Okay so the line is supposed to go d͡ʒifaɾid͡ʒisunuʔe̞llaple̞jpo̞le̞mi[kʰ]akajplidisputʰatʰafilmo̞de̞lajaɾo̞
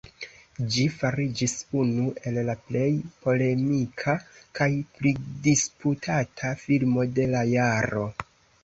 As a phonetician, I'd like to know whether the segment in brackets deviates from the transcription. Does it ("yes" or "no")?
no